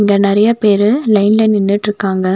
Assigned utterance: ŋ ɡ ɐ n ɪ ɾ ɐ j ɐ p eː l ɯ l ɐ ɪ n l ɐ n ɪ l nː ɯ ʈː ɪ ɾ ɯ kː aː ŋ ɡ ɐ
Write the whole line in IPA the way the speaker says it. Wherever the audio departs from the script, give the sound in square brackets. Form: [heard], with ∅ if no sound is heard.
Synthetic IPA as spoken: ŋ ɡ ɐ n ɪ ɾ ɐ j ɐ p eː [ɾ] ɯ l ɐ ɪ n l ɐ n ɪ [∅] nː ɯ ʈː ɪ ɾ ɯ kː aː ŋ ɡ ɐ